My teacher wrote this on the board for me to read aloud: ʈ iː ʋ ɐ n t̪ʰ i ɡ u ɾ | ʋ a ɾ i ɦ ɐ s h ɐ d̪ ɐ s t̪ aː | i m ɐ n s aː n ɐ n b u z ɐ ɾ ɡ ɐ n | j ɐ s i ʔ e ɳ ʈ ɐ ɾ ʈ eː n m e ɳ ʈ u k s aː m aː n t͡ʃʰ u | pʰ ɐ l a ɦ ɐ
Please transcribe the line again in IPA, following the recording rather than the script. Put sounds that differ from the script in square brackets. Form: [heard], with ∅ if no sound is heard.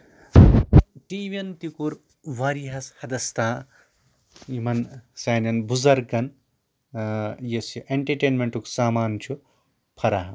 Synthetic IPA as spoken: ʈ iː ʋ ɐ n [t̪] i [k] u ɾ | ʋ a ɾ i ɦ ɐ s h ɐ d̪ ɐ s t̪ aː | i m ɐ n s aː n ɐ n b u z ɐ ɾ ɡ ɐ n | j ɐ s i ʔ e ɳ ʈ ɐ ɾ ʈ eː n m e ɳ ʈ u k s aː m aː n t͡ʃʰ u | pʰ ɐ [ɾ] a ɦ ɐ